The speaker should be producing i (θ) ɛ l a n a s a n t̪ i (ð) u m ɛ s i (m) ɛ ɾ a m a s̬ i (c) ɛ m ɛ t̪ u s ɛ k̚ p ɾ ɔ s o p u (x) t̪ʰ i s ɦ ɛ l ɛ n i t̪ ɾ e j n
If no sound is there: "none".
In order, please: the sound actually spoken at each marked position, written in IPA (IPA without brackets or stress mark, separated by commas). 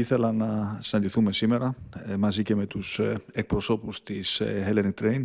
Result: θ, θ, m, c, s